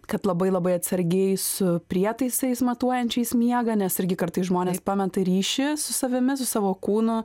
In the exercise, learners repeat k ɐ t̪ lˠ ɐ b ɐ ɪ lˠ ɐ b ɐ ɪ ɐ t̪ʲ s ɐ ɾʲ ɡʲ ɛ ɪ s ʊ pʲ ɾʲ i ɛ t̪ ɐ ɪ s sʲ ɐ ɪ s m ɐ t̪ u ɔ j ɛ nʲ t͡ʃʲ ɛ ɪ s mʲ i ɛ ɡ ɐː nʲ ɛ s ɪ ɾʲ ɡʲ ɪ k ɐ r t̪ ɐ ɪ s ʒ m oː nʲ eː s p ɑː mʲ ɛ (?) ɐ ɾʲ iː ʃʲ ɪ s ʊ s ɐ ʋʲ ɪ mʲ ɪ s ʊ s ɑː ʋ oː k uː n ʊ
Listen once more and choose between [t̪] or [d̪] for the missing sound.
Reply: t̪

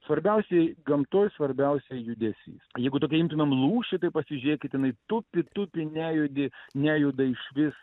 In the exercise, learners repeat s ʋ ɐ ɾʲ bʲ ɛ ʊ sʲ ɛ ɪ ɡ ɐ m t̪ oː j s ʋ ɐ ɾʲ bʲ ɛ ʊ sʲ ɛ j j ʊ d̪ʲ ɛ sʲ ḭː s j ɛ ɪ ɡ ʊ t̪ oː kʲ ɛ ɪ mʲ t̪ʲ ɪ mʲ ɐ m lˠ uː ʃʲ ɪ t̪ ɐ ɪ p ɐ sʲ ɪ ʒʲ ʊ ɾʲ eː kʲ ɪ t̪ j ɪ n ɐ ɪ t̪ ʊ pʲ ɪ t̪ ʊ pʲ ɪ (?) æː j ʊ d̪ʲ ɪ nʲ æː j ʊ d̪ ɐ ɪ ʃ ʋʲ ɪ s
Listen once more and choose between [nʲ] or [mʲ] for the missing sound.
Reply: nʲ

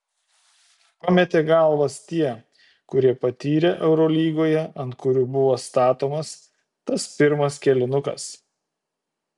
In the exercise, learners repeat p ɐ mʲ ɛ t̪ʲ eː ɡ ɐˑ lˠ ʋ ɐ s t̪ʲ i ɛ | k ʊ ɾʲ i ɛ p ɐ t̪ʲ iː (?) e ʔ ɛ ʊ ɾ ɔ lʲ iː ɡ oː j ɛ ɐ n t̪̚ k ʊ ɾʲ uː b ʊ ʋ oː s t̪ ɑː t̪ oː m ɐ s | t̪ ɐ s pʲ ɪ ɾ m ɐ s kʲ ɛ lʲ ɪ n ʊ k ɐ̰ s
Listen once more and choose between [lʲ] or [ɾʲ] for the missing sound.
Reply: ɾʲ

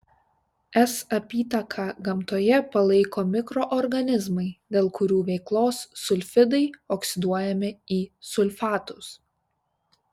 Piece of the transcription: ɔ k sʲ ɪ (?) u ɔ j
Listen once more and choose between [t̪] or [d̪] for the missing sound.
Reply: d̪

